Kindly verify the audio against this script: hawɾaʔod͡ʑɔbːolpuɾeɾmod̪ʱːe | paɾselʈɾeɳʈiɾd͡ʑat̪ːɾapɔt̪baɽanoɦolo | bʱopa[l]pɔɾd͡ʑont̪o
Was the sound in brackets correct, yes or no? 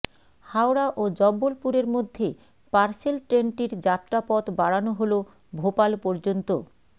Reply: yes